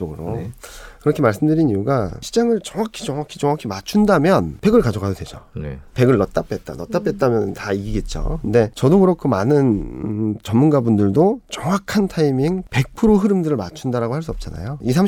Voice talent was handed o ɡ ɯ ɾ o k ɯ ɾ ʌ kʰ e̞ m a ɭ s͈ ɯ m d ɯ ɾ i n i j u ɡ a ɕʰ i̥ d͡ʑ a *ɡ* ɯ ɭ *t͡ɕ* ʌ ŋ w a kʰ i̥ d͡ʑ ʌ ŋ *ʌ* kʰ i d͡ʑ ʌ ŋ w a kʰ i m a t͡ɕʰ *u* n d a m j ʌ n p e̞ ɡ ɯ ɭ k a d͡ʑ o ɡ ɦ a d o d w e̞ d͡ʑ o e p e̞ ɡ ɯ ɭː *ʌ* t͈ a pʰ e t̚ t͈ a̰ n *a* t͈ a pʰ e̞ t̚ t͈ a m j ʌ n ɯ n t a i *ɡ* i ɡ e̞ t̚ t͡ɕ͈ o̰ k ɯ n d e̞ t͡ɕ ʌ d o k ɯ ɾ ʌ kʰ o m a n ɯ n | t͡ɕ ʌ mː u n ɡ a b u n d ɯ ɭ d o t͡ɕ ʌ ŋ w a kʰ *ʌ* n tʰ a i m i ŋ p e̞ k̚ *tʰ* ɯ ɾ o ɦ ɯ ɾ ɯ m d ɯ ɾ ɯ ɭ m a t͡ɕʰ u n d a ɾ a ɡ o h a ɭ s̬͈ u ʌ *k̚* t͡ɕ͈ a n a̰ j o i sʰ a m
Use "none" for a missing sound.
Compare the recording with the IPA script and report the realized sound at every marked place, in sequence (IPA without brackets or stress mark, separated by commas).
ŋ, t͡ɕ, a, u, ʌ, ʌ, ɡ, a, pʰ, p̚